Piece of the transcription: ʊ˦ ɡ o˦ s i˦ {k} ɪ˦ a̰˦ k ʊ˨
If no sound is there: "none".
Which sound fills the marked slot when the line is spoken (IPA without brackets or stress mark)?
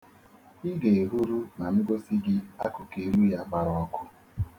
ɡ